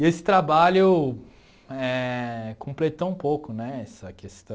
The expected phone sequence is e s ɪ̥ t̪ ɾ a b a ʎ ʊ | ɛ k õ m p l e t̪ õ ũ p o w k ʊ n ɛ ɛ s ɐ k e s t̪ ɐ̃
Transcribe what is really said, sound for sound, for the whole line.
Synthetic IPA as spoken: e s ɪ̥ t̪ ɾ a b a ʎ ʊ | ɛ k õ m p l e t̪ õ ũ p o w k ʊ n ɛ ɛ s ɐ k e s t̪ ɐ̃